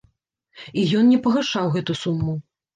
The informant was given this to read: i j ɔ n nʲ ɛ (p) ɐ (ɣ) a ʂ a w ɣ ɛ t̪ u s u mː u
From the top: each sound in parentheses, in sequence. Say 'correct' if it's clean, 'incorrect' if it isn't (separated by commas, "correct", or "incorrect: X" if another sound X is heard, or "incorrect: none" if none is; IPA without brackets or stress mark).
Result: correct, correct